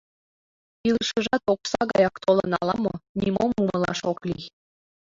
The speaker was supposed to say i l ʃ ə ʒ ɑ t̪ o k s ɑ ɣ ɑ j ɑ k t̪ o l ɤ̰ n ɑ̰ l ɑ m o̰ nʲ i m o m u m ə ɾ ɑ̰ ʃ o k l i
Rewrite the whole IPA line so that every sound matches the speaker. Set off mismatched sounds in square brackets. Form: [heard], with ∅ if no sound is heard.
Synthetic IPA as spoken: i l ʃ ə ʒ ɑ t̪ o k s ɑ ɣ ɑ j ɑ k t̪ o l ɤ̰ n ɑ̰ l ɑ m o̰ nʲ i m o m u m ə [l] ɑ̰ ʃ o k l i